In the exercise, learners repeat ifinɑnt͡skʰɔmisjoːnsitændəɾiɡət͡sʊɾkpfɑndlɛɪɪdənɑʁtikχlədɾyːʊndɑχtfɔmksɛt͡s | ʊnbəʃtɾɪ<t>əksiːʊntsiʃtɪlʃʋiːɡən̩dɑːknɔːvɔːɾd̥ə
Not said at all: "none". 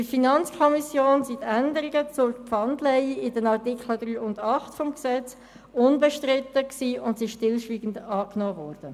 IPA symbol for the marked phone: t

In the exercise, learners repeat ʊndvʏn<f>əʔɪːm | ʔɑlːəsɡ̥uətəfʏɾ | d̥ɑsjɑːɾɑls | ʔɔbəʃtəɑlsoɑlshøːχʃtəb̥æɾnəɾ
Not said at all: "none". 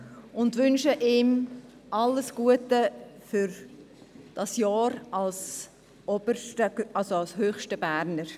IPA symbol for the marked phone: ʃ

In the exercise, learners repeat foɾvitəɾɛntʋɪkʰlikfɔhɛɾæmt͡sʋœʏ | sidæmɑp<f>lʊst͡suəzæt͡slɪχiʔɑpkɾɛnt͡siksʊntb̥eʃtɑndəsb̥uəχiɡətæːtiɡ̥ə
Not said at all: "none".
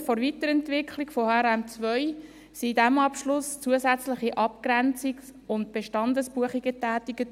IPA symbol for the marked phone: ʃ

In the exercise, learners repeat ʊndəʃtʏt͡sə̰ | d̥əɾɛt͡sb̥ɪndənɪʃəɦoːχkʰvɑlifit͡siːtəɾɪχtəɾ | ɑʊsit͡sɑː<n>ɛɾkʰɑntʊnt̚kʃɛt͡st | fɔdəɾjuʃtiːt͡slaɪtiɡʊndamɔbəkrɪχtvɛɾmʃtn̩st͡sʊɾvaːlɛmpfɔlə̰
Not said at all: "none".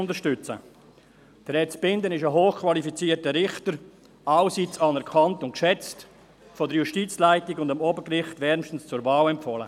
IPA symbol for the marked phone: n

